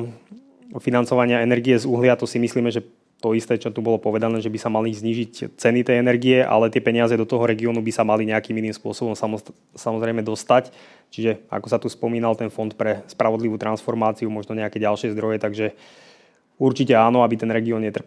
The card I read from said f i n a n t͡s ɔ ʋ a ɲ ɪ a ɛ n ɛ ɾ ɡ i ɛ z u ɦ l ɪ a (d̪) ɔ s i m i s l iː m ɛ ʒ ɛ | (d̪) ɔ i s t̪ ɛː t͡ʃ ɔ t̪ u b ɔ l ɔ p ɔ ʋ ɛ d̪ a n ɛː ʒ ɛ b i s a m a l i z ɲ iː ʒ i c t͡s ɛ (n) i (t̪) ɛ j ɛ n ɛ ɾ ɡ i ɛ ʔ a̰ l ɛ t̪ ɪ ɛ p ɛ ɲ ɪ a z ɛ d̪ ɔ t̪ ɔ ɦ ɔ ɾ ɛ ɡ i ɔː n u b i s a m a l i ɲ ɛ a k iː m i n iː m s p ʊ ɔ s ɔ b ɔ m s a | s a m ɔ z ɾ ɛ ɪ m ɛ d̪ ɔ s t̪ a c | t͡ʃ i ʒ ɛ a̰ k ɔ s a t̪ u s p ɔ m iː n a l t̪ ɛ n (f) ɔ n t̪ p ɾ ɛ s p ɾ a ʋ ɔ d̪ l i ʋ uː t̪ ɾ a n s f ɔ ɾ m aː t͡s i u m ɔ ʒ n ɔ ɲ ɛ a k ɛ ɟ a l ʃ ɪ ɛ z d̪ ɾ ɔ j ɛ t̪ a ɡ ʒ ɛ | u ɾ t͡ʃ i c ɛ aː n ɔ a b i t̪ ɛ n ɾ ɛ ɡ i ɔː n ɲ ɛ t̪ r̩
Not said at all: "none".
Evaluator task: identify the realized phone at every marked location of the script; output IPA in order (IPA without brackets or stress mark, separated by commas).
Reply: t̪, t̪, n, t̪, f